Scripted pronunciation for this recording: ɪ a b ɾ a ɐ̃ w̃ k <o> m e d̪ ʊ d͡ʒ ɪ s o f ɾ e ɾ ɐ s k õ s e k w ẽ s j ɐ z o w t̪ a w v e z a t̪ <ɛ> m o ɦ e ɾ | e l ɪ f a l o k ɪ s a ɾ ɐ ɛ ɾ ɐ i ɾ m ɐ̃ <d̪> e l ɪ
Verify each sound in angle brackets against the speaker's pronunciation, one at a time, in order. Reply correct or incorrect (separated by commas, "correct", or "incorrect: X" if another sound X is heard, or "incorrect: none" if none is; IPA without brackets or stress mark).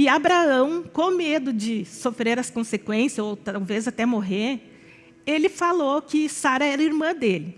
incorrect: õ, correct, correct